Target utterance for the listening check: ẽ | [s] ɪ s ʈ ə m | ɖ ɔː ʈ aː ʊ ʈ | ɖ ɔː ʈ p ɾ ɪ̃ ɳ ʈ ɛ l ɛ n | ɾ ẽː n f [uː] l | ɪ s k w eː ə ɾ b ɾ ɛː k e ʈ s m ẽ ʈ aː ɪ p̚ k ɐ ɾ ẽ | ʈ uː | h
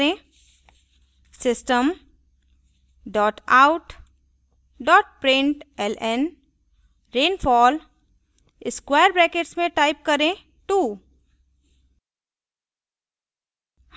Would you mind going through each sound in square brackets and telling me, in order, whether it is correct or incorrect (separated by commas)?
correct, incorrect